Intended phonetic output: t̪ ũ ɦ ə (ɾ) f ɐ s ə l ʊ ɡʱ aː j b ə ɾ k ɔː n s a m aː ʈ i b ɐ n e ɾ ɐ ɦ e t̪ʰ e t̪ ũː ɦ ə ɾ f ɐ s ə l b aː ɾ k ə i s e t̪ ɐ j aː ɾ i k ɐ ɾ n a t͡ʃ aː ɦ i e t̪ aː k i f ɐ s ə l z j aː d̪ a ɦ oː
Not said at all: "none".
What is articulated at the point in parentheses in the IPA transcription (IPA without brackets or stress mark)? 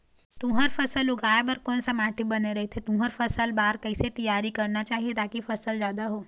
ɾ